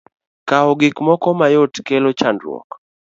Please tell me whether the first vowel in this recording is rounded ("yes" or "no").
no